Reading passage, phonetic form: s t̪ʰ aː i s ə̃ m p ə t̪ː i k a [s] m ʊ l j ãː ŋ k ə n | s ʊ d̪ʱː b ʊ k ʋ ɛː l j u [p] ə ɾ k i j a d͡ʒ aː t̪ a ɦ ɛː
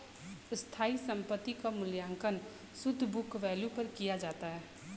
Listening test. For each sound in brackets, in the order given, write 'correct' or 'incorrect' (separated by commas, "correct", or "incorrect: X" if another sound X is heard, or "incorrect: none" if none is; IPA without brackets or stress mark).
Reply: incorrect: none, correct